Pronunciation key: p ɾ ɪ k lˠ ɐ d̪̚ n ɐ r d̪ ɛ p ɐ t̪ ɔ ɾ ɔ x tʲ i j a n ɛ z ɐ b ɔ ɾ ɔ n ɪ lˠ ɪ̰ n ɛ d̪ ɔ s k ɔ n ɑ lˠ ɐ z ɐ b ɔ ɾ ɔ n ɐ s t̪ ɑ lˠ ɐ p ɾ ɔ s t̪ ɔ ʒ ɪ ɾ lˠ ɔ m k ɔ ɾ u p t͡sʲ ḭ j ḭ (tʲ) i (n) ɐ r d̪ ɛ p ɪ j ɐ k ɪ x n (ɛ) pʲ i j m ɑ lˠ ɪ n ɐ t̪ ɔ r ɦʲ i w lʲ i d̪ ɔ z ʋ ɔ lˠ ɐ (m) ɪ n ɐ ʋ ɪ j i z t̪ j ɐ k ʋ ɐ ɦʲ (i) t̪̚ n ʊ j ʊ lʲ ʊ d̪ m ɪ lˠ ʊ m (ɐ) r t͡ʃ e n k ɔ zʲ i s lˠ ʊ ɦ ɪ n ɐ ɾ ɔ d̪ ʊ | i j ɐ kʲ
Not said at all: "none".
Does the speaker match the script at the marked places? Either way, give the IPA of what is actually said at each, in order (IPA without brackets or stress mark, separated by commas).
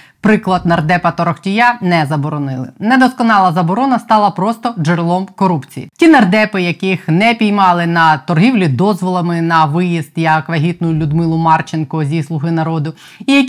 tʲ, n, ɛ, m, i, ɑ